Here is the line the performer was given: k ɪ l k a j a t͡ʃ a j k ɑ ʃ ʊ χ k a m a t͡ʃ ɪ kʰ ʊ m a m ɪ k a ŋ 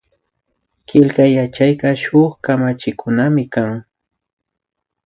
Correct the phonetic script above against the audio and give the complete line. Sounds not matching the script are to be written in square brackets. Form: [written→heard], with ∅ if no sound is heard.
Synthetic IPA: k ɪ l k a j a t͡ʃ a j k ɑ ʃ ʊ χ k a m a t͡ʃ ɪ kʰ ʊ [m→n] a m ɪ k a ŋ